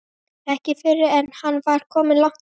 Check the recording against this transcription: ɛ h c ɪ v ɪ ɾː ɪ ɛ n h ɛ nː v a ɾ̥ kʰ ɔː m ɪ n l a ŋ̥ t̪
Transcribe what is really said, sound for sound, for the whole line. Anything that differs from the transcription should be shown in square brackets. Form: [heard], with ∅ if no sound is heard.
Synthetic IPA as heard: ɛ h c ɪ [f] ɪ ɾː ɪ ɛ n h [a] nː v a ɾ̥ kʰ ɔː m ɪ n l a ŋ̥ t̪